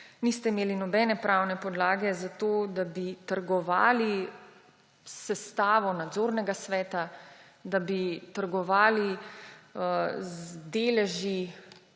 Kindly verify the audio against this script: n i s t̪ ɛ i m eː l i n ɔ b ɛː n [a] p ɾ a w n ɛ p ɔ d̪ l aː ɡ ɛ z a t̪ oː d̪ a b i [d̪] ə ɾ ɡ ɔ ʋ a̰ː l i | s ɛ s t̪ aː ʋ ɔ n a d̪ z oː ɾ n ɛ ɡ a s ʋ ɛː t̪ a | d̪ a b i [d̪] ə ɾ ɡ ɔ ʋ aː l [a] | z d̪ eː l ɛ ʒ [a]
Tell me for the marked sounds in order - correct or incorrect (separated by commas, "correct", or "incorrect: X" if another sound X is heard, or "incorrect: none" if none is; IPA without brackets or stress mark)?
incorrect: ɛ, incorrect: t̪, incorrect: t̪, incorrect: i, incorrect: i